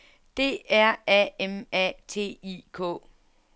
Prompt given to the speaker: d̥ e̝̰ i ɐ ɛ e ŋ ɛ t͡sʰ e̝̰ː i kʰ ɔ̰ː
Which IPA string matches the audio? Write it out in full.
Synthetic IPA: d̥ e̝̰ æ ɐ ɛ e m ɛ t͡sʰ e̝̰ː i kʰ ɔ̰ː

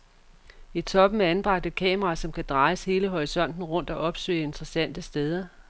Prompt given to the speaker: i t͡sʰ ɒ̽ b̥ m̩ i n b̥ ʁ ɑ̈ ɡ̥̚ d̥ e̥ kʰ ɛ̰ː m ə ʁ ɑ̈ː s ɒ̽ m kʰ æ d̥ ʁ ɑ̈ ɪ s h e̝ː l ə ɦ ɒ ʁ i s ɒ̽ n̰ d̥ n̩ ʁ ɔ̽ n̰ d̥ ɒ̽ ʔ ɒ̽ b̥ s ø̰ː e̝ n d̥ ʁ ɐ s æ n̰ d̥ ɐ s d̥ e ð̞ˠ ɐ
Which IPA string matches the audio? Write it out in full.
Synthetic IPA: i t͡sʰ ɒ̽ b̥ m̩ æ n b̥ ʁ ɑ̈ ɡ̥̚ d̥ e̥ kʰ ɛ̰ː m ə ʁ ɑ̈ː s ɒ̽ m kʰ æ d̥ ʁ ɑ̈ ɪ s h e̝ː l ə ɦ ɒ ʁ i s ɒ̽ n̰ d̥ n̩ ʁ ɔ̽ n̰ d̥ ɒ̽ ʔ ɒ̽ b̥ s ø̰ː e̝ n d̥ ʁ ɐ s æ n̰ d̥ ə s d̥ e ð̞ˠ ɐ

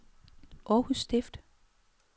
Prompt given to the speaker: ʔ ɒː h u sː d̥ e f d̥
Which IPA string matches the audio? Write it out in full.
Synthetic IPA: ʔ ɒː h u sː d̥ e f d̥

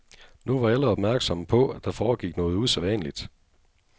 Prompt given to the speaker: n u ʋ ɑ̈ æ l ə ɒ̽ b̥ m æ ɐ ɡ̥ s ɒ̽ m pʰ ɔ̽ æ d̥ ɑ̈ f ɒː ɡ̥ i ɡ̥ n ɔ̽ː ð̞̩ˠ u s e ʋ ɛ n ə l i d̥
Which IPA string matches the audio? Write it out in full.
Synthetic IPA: n u ʋ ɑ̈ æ l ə ɒ̽ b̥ m æ ɐ ɡ̥ s ɒ̽ m pʰ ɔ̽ æ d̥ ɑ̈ f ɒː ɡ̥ i ɡ̥ n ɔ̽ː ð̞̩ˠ u s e ʋ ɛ n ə l i d̥

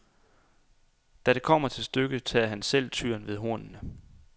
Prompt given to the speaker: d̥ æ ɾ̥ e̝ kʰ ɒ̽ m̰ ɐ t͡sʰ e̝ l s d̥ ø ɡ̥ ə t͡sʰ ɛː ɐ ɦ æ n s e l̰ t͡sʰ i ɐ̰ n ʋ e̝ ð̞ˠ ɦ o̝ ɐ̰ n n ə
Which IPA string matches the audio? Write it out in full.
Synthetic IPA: d̥ æ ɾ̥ e̝ kʰ ɒ̽ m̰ ɐ t͡sʰ e̝ l s d̥ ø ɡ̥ ə t͡sʰ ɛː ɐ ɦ æ n s e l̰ t͡sʰ y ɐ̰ n ʋ e̝ ð̞ˠ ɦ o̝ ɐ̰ n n ə

